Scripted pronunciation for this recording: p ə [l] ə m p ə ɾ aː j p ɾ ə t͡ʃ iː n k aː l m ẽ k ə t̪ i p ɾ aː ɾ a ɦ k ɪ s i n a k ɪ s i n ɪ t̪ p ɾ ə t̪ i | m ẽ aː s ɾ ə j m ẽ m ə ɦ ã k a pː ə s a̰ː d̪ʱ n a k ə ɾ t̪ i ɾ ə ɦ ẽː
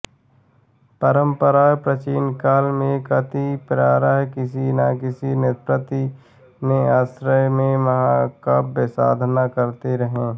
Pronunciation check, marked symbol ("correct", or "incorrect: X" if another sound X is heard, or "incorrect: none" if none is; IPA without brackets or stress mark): incorrect: ɾ